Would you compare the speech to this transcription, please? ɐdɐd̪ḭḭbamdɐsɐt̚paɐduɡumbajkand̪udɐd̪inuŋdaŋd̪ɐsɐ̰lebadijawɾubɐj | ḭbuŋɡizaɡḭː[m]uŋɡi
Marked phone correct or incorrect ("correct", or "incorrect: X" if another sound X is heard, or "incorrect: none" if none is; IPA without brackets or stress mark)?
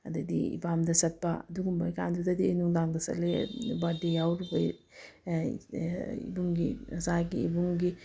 incorrect: b